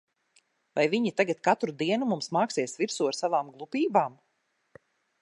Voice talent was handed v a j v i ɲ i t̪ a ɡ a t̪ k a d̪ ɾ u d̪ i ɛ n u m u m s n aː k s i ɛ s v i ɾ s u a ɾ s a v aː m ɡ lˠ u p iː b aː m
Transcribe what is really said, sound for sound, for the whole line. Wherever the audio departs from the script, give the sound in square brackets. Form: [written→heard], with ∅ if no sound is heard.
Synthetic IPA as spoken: v a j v i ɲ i t̪ a ɡ a t̪ k a [d̪→t̪] ɾ u d̪ i ɛ n u m u m s [n→m] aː k s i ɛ s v i ɾ s u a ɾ s a v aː m ɡ lˠ u p iː b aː m